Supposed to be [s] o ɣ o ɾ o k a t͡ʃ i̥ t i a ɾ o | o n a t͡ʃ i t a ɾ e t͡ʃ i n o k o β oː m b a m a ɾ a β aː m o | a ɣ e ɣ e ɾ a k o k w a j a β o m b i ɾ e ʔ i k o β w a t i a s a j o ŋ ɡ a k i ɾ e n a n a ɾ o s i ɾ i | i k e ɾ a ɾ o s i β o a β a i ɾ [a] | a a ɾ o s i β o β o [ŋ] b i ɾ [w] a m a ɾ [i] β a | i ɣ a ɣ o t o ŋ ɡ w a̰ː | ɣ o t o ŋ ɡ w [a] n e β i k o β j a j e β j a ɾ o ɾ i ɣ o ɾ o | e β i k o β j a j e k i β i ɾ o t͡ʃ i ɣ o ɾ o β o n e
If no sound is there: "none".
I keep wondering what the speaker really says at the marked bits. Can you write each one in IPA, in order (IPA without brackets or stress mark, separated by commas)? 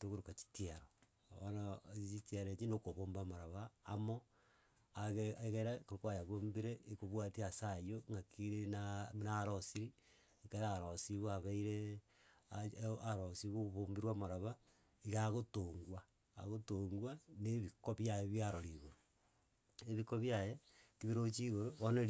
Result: t, e, m, w, a, a